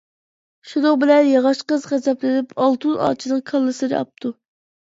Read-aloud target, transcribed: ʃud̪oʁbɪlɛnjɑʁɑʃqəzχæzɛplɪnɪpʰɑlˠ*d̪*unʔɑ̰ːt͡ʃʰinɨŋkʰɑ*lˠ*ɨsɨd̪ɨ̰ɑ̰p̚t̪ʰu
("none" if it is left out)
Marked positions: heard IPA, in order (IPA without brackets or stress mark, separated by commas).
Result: t̪, lˠː